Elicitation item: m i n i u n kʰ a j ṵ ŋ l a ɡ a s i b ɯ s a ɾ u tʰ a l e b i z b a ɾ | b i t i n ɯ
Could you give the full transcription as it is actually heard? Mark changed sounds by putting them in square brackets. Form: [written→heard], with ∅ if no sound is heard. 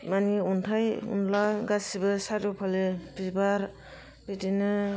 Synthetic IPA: m [i→a] n i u n [kʰ→tʰ] a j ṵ [ŋ→n] l a ɡ a s i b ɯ s a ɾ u [tʰ→pʰ] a l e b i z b a ɾ | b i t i n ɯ